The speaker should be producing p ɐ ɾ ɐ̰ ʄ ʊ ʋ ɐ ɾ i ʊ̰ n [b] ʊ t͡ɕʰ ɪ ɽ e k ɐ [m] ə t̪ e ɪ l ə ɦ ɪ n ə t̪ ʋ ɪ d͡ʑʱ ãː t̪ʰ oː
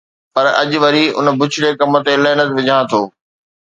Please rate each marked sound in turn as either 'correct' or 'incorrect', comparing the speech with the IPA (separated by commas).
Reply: correct, correct